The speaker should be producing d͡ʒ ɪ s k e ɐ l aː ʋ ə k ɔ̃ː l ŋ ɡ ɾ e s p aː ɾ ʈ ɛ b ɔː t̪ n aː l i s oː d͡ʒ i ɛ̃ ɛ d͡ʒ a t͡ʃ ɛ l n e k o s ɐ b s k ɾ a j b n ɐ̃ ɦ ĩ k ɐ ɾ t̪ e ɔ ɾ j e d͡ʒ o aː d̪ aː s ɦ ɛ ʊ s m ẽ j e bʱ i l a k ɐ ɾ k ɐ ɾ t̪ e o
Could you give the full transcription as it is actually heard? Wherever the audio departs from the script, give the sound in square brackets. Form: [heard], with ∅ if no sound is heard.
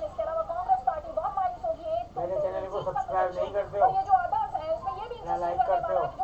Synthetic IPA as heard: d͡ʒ ɪ s k e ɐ l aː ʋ [a] k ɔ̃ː [∅] ŋ ɡ ɾ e s p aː ɾ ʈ [i] b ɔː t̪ [m] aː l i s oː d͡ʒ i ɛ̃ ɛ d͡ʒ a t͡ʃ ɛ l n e k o s ɐ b s k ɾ a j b n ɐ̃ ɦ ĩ k ɐ ɾ t̪ e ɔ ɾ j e d͡ʒ o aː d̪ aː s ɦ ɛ ʊ s m ẽ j e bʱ i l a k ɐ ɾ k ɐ ɾ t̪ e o